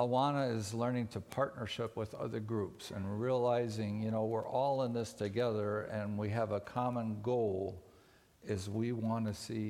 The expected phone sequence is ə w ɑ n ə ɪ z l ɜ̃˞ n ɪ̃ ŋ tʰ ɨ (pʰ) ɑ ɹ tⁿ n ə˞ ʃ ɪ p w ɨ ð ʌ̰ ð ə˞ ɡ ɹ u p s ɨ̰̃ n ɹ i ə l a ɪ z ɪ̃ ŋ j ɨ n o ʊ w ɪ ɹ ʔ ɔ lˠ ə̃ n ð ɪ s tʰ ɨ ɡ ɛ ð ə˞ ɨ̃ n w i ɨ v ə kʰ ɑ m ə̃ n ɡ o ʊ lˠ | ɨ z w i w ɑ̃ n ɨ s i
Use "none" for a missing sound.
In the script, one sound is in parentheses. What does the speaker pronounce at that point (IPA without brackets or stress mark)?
pʰ